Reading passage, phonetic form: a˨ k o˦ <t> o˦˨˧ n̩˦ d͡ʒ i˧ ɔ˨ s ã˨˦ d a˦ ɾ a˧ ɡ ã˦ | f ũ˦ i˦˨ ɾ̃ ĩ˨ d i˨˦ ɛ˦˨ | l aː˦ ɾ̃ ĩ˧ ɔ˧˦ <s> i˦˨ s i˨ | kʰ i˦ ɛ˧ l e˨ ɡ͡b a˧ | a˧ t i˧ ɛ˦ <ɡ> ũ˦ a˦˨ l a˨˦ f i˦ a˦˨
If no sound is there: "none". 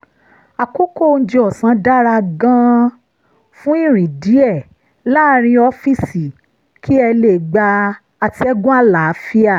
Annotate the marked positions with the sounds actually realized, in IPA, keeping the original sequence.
k, f, ɡ

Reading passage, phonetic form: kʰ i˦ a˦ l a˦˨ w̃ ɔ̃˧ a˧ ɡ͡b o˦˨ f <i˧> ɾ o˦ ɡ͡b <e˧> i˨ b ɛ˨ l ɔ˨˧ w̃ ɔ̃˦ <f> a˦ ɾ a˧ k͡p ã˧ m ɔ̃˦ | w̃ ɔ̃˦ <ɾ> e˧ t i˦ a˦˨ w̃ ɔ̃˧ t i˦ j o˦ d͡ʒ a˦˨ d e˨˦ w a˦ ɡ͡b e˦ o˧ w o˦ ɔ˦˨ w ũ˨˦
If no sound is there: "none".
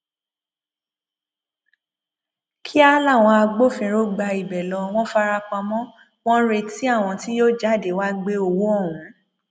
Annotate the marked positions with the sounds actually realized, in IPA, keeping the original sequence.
ĩ˧, a˧, f, ɾ

